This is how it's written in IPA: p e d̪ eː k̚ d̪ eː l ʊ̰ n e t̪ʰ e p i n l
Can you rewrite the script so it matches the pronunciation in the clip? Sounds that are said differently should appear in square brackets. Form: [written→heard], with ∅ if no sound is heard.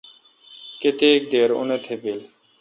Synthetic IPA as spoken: [p→k] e [d̪→t̪] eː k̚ d̪ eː [l→ɾ] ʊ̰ n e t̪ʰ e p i [n→∅] l